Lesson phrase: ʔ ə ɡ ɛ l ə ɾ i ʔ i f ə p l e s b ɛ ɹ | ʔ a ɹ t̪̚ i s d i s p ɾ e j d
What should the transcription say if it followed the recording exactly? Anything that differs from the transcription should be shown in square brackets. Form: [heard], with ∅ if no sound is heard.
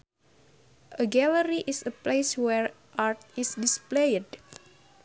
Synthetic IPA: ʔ ə ɡ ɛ l ə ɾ i ʔ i [s] ə p l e s [w] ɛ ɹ | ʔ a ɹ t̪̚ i s d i s p [l] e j d